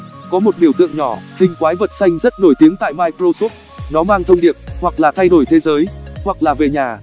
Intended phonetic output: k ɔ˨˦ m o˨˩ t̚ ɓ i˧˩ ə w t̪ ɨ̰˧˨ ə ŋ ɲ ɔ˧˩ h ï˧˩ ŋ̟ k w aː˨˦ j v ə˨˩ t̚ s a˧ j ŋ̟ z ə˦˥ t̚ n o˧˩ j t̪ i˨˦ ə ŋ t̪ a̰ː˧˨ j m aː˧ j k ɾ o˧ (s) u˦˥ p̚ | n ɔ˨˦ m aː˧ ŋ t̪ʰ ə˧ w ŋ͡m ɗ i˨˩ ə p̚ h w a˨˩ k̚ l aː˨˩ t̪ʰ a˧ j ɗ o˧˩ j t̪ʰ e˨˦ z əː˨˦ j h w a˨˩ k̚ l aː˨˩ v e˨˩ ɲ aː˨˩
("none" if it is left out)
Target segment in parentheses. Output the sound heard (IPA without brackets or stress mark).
s